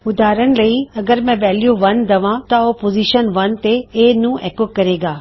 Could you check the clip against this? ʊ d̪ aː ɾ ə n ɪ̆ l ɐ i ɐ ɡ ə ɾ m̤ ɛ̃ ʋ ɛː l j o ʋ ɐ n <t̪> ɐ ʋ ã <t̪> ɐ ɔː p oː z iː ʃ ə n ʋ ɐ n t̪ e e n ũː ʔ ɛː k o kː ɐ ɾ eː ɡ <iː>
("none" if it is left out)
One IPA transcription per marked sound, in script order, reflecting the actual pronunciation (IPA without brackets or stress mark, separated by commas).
d̪, t̪, aː